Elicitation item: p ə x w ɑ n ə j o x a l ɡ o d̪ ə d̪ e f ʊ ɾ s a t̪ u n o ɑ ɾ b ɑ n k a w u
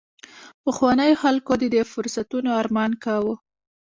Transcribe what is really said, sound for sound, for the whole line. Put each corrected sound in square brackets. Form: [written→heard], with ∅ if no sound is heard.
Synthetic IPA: p ə x w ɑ n ə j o x a l [ɡ→k] o d̪ ə d̪ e f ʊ ɾ s a t̪ u n o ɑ ɾ [b→m] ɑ n k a w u